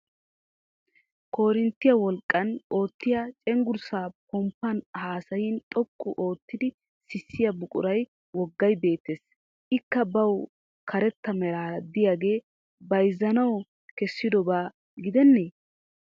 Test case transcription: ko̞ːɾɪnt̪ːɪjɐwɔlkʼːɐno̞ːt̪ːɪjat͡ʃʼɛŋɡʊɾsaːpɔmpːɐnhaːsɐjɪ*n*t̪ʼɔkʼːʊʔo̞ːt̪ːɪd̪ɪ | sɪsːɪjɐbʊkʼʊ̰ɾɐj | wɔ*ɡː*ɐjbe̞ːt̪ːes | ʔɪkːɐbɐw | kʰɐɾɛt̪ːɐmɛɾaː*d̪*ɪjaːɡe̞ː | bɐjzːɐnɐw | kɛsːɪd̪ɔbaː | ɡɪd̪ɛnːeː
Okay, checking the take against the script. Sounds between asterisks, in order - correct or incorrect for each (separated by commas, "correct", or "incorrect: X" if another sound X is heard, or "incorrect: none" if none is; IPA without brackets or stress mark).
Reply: correct, correct, correct